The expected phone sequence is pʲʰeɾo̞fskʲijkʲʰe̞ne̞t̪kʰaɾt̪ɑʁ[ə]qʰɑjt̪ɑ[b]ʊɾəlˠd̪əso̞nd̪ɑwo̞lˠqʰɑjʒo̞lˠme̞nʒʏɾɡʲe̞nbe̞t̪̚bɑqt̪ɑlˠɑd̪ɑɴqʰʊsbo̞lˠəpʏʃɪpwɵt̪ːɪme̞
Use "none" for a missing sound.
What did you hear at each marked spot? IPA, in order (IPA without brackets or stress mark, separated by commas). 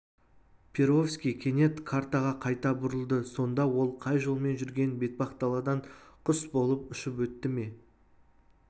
ɑ, b